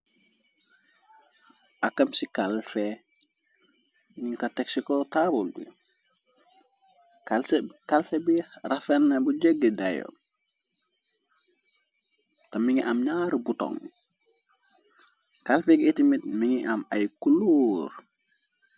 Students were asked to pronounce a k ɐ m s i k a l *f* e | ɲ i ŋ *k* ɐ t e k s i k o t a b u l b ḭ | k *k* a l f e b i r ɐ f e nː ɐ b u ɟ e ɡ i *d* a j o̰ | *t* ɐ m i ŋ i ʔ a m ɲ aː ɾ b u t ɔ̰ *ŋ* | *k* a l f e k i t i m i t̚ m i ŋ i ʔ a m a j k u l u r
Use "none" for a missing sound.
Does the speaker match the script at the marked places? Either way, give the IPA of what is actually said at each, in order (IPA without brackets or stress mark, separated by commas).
f, k, k, d, t, ŋ, k